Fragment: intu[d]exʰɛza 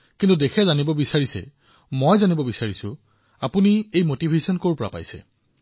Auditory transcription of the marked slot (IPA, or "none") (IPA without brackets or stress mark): d